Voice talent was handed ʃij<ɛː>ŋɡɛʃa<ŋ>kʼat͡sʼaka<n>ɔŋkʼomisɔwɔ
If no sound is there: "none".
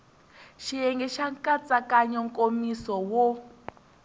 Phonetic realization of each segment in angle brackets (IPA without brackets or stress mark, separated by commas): ɛ, ŋ, ɲ